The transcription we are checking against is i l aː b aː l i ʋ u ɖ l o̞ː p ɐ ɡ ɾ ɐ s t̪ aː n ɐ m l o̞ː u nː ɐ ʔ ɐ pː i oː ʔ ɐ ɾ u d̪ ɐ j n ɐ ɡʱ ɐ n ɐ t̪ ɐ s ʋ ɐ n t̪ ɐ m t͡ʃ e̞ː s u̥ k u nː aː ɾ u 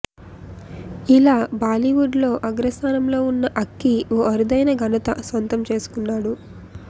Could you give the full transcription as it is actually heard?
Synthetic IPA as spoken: i l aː b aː l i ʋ u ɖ l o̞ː ʔ ɐ ɡ ɾ ɐ s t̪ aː n ɐ m l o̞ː u nː ɐ ʔ ɐ kː i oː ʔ ɐ ɾ u d̪ ɐ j n ɐ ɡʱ ɐ n ɐ t̪ ɐ s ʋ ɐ n t̪ ɐ m t͡ʃ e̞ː s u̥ k u nː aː ɽ u